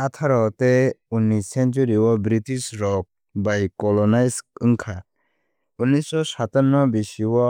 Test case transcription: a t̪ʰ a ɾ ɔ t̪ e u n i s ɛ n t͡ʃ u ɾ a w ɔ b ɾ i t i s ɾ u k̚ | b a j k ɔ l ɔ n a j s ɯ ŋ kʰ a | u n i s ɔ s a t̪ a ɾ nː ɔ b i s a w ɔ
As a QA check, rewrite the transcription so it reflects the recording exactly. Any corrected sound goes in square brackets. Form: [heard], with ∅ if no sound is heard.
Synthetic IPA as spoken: a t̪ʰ a ɾ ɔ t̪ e u n i s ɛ n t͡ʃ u ɾ [i] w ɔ b ɾ i t i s ɾ [ɔ] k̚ | b a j k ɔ l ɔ n a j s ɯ ŋ kʰ a | u n i s ɔ s a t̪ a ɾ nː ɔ b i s [i] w ɔ